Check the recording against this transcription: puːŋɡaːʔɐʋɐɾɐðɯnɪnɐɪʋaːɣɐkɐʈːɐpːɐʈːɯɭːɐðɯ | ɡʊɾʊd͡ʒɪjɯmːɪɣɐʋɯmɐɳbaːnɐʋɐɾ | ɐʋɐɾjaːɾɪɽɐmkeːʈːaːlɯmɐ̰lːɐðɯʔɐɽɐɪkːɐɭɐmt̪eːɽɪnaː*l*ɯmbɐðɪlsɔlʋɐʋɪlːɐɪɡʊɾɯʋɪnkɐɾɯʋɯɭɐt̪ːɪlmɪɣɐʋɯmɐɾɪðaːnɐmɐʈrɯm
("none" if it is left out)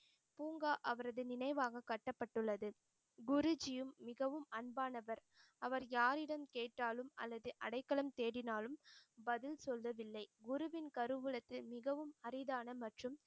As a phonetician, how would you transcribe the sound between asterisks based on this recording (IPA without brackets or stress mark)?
l